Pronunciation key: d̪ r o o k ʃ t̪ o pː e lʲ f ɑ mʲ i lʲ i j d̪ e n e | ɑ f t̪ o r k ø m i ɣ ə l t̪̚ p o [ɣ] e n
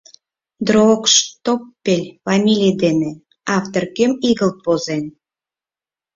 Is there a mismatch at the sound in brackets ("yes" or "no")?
yes